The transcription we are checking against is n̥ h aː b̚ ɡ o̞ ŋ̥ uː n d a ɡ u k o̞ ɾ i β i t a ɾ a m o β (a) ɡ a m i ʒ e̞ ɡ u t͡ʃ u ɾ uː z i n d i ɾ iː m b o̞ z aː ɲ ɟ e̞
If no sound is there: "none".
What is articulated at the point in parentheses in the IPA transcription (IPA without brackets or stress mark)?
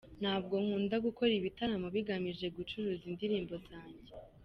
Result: i